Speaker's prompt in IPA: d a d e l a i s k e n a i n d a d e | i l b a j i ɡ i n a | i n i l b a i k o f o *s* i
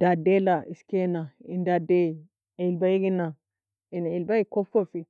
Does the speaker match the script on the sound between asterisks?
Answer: no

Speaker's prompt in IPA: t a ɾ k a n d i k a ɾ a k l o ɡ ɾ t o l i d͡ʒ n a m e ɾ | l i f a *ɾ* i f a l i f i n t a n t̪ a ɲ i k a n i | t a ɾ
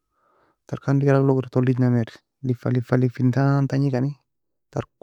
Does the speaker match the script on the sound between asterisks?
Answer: no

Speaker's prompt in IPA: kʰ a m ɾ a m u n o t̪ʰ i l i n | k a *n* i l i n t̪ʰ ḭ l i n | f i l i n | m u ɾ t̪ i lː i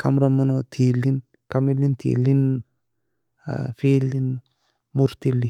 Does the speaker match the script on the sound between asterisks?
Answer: no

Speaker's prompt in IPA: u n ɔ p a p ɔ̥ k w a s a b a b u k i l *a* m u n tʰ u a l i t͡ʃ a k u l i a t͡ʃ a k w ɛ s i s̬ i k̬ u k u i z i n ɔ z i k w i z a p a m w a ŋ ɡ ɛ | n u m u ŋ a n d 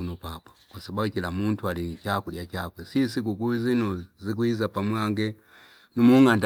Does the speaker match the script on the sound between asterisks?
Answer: yes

